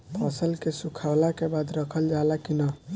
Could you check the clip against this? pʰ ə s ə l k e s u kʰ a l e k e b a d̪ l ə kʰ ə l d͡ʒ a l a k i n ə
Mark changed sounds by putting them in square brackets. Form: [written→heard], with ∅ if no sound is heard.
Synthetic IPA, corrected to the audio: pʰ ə s ə l k e s u kʰ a l [e→a] k e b a d̪ [l→ɾ] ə kʰ ə l d͡ʒ a l a k i n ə